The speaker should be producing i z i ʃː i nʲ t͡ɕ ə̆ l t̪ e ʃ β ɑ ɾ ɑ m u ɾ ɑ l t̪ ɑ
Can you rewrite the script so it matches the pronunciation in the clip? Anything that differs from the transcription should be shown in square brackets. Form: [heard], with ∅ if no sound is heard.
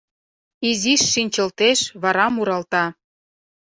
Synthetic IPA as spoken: i z i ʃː i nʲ t͡ɕ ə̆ l t̪ e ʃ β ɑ ɾ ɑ m u ɾ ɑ l t̪ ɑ

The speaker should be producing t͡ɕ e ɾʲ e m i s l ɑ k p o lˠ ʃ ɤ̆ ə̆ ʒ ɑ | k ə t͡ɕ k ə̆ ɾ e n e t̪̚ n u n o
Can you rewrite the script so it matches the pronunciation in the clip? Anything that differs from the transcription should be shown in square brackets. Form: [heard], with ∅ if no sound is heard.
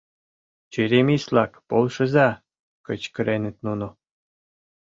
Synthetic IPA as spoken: t͡ɕ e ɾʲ e m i s l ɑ k p o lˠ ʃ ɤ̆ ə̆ [z] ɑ | k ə t͡ɕ k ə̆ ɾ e n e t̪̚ n u n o

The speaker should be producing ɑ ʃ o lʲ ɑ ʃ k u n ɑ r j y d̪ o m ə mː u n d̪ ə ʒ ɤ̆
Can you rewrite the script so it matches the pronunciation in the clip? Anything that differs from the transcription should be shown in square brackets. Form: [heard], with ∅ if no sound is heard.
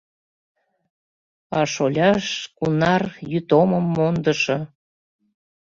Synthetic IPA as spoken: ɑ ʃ o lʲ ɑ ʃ k u n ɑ r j y [t̪] o m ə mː [o] n d̪ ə [ʃ] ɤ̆

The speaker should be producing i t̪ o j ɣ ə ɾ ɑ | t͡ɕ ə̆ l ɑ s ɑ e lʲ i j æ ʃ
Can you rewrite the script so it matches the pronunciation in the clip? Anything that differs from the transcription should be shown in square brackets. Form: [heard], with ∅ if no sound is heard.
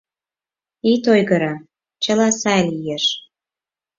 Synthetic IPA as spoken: i t̪ o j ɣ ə ɾ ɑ | t͡ɕ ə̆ l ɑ s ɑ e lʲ i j [e] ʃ

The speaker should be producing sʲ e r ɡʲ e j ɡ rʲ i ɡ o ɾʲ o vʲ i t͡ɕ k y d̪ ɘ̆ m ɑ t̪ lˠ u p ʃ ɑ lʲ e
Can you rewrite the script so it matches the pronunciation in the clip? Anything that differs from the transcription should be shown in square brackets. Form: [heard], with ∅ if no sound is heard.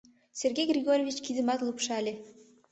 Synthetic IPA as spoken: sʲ e r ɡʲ e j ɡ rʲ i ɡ o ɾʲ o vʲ i t͡ɕ k [i] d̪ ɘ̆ m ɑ t̪ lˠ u p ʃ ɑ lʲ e

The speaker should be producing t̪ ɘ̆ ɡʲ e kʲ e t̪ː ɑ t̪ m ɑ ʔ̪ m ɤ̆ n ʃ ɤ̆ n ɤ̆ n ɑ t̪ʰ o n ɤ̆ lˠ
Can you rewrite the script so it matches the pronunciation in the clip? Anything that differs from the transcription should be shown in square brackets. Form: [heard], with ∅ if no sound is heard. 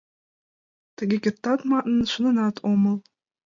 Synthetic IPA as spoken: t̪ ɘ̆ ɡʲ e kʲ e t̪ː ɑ t̪ m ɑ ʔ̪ [n] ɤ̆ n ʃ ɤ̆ n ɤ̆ n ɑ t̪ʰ o [m] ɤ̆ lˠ

